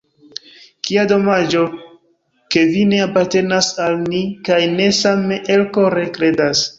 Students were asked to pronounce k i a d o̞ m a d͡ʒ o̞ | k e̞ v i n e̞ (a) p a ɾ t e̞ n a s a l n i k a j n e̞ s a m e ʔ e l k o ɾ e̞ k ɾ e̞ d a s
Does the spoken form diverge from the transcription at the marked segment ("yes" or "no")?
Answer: no